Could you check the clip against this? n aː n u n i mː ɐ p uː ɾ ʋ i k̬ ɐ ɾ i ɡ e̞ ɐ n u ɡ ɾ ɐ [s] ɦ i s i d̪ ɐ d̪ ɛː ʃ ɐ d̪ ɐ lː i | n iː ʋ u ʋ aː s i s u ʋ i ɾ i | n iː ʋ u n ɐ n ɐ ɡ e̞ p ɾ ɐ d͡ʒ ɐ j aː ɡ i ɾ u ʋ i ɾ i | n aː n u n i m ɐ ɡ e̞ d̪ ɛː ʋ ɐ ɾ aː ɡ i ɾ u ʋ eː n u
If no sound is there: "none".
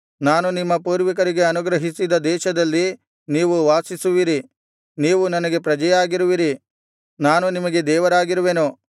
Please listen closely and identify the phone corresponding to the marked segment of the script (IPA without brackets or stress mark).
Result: none